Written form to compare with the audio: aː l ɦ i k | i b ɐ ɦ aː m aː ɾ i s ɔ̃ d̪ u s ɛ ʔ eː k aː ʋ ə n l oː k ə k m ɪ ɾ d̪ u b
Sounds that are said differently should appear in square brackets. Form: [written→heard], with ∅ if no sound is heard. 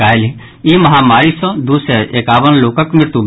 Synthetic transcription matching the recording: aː l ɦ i [k→∅] | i [b→m] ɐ ɦ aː m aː ɾ i s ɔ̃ d̪ u s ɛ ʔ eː k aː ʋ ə n l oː k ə k m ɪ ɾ [d̪→t̪] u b